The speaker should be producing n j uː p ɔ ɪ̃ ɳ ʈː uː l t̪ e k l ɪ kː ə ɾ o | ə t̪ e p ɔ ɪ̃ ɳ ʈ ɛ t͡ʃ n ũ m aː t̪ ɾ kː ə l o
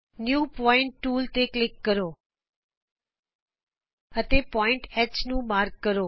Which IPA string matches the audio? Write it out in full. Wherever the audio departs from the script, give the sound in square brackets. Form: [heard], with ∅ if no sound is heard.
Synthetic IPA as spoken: n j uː p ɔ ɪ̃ ɳ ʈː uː l t̪ e k l ɪ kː ə ɾ o | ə t̪ e p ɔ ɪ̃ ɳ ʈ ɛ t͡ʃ n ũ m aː [∅] ɾ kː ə [ɾ] o